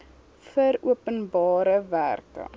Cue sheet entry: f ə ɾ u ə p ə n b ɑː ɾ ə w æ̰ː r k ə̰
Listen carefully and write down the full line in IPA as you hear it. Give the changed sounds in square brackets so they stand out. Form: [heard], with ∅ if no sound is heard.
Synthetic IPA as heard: f ə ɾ u ə p ə n b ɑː ɾ ə [v] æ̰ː r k ə̰